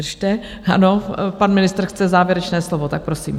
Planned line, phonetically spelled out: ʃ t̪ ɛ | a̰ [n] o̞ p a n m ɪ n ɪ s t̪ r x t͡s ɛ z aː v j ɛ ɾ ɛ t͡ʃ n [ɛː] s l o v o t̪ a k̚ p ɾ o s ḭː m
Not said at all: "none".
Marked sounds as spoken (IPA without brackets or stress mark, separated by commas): n, ɛː